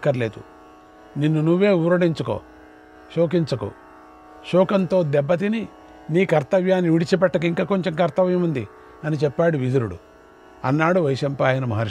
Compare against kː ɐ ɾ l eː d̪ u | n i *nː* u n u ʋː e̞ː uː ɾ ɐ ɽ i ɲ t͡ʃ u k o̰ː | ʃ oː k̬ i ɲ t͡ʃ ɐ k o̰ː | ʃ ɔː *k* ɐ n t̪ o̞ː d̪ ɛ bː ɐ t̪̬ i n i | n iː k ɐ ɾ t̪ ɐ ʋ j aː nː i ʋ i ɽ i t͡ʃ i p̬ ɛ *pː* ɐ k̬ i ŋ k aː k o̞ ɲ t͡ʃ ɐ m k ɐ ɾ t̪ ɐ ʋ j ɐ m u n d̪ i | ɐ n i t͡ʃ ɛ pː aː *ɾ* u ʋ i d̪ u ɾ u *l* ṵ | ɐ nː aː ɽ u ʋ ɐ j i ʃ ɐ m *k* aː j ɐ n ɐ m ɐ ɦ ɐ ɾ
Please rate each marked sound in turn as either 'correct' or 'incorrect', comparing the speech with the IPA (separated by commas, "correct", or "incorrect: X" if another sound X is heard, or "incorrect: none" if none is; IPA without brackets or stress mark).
correct, correct, incorrect: ʈː, incorrect: ɽ, incorrect: ɽ, incorrect: p